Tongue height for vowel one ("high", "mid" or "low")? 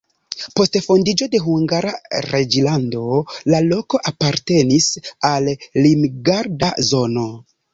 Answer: mid